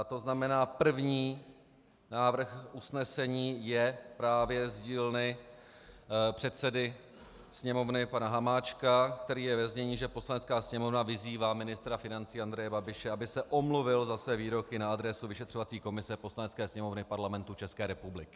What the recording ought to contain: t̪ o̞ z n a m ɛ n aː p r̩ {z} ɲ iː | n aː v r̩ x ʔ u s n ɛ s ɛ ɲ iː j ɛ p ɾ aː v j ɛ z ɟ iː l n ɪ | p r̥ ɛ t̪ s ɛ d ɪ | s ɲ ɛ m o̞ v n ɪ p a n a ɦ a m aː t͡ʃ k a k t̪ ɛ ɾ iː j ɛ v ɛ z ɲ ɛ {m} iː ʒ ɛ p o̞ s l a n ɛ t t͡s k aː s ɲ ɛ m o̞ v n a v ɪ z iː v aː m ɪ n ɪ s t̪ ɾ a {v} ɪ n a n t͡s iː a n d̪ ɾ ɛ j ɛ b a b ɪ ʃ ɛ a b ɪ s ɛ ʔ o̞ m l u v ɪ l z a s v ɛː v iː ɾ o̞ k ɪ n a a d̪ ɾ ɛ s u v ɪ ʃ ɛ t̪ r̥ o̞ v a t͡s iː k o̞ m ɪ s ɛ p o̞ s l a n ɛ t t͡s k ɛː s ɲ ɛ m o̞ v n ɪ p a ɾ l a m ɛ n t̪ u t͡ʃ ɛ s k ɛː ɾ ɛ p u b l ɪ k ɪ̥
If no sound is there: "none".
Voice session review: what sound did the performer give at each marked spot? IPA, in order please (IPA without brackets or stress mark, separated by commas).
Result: v, ɲ, f